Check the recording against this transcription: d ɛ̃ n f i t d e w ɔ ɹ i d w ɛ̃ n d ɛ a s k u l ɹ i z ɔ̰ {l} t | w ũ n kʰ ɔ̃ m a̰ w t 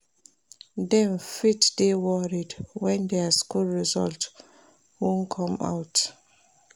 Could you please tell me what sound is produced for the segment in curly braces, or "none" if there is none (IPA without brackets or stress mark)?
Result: l